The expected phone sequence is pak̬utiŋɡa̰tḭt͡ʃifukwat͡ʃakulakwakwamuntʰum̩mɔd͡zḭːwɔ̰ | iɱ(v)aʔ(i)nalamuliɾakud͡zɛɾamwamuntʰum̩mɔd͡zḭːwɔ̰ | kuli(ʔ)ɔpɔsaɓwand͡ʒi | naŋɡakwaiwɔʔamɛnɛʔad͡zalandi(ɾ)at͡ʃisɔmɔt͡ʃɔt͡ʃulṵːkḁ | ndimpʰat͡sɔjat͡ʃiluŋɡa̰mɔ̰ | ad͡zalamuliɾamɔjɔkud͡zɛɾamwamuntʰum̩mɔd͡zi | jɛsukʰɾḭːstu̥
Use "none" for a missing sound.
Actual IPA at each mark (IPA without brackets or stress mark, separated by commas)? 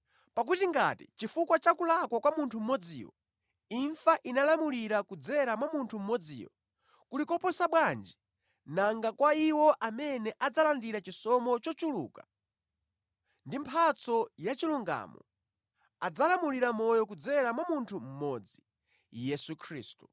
f, i, k, ɾ